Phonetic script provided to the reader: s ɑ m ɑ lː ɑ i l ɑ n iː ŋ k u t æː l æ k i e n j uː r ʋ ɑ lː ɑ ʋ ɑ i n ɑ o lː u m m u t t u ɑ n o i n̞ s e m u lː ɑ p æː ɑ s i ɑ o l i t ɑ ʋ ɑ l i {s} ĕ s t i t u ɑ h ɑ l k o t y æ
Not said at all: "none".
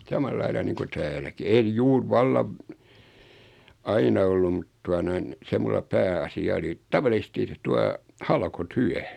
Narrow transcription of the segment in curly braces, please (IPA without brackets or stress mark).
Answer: s